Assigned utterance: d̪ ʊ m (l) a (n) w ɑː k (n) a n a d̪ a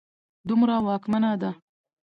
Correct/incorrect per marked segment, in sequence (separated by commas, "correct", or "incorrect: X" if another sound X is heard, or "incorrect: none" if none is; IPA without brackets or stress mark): incorrect: ɾ, incorrect: none, incorrect: m